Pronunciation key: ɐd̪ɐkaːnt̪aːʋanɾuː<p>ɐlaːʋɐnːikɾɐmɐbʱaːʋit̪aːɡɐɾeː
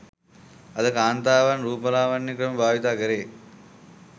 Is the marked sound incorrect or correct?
correct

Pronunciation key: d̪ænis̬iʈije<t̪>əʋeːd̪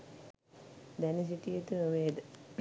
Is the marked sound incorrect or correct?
correct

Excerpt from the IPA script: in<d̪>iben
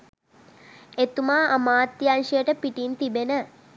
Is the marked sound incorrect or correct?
incorrect: t̪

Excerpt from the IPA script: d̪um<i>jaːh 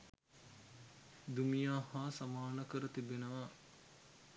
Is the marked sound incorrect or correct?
correct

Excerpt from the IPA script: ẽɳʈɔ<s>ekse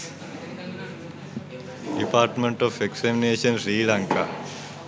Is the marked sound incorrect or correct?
incorrect: f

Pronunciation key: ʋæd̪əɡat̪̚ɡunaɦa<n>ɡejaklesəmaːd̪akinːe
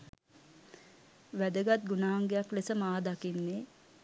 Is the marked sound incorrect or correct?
incorrect: ŋ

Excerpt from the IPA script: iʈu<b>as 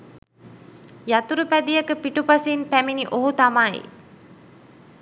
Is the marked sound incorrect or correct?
incorrect: p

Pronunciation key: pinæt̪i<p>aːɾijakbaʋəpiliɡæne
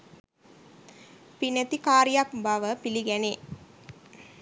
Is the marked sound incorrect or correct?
incorrect: k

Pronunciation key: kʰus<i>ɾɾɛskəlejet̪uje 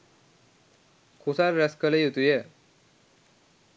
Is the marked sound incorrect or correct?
incorrect: a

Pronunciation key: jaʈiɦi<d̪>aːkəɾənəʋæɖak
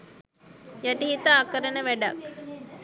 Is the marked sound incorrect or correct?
incorrect: t̪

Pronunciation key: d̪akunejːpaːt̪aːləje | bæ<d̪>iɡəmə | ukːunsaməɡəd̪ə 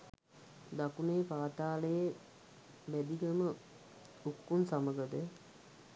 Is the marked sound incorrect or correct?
correct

